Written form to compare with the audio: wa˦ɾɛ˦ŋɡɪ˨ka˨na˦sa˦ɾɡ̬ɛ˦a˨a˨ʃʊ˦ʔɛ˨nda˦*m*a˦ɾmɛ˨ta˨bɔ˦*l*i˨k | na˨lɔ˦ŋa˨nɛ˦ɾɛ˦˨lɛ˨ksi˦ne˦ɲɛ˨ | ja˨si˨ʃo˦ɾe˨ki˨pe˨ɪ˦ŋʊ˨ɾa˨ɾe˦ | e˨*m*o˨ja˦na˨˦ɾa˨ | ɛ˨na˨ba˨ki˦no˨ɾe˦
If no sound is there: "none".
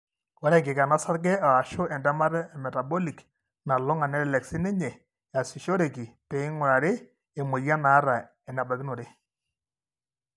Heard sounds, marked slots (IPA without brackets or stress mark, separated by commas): m, l, m